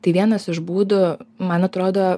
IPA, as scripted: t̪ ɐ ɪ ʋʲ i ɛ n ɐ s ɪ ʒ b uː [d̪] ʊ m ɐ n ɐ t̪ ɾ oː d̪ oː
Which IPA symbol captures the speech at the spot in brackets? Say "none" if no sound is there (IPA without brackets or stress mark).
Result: d̪